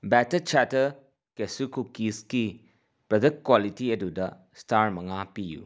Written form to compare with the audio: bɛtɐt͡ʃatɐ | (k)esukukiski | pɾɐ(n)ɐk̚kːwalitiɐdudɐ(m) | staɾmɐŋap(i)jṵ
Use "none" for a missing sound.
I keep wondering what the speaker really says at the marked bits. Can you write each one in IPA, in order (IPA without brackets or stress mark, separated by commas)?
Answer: k, d, none, i